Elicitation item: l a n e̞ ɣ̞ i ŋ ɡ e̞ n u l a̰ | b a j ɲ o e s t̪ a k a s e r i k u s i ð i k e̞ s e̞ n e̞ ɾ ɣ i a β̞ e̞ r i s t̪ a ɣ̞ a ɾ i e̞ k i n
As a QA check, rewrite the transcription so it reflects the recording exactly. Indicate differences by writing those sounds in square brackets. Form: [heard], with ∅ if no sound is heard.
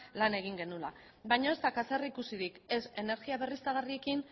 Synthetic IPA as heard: l a n e̞ ɣ̞ i ŋ ɡ e̞ n u l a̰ | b a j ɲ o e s t̪ a k a s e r i k u s i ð i k e̞ s e̞ n e̞ ɾ ɣ i a β̞ e̞ r i s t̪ a ɣ̞ a [r] i e̞ k i n